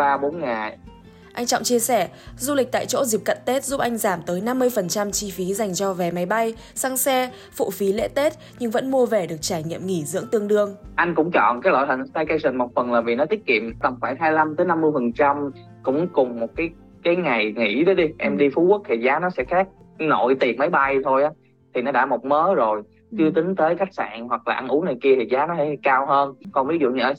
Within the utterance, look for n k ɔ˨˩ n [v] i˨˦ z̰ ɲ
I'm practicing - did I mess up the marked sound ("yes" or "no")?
no